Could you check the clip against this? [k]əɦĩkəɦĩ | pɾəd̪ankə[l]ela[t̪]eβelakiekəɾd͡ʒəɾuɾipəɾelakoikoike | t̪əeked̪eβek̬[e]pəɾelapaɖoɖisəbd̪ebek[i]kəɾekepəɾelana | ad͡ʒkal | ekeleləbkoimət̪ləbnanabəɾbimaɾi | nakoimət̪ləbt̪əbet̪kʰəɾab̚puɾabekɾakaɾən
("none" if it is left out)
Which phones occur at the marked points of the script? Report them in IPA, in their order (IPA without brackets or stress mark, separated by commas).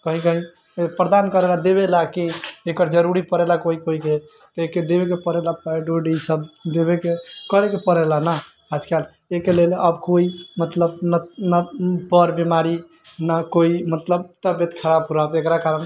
k, ɾ, d̪, e, e